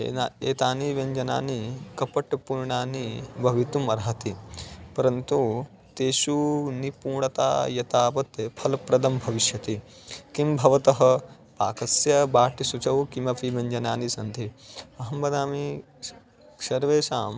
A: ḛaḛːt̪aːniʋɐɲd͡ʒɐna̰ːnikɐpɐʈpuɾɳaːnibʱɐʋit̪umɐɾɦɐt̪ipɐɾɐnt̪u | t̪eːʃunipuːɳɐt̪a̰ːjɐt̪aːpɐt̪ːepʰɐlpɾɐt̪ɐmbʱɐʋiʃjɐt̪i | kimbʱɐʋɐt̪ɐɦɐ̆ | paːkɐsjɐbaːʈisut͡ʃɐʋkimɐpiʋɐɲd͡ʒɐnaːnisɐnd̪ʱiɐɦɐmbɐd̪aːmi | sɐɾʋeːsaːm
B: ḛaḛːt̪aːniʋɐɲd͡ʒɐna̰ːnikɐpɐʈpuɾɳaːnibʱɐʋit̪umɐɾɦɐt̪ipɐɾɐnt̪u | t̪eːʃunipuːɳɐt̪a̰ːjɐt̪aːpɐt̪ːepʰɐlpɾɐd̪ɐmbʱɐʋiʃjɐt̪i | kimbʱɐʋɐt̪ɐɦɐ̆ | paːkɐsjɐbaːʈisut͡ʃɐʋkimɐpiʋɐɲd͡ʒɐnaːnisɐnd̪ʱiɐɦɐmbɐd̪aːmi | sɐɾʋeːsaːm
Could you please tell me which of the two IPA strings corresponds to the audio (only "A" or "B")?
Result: B